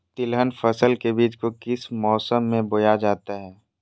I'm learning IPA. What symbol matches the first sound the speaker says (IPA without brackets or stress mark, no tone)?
t̪